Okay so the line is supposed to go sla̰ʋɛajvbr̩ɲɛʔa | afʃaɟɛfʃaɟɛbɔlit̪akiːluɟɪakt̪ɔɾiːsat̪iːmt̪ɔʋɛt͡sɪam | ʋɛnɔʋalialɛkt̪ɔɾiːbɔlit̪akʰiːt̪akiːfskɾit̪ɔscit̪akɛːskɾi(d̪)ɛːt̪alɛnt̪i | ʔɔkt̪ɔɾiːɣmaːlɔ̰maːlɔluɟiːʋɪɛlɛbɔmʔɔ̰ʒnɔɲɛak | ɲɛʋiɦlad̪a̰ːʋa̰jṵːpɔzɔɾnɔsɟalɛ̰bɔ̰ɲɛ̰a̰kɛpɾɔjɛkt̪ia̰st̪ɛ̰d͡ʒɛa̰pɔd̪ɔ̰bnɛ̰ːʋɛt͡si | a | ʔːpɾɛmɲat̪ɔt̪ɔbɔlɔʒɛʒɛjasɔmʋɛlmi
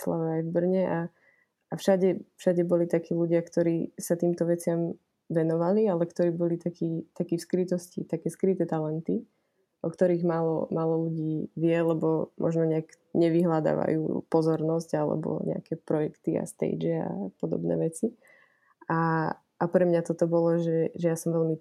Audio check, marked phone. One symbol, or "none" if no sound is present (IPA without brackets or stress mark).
t̪